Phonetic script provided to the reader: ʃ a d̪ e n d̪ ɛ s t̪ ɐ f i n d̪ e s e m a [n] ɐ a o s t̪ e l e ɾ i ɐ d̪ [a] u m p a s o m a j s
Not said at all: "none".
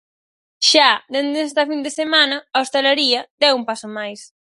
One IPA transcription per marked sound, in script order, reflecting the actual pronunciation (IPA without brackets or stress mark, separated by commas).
n, ɛ